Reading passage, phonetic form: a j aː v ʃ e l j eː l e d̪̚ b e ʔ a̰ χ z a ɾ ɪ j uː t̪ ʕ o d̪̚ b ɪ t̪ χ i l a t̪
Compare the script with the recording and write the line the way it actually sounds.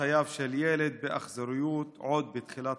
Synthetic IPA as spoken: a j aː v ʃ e l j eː l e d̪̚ b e ʔ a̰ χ z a ɾ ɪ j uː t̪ ʕ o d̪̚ b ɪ t̪ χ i l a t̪